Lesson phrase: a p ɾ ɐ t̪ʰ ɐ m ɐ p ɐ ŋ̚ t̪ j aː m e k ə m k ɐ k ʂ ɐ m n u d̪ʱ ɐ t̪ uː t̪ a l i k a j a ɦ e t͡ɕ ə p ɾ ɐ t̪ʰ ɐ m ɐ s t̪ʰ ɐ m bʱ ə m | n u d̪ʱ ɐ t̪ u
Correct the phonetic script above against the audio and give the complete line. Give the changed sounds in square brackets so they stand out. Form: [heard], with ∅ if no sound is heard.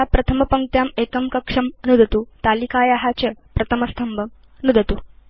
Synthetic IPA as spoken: a p ɾ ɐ t̪ʰ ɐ m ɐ p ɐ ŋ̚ t̪ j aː m e k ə m k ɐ k ʂ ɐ m n u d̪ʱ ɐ t̪ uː t̪ a l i k a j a ɦ [a] t͡ɕ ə p ɾ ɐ t̪ʰ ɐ m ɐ s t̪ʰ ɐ m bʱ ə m | n u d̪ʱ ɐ t̪ u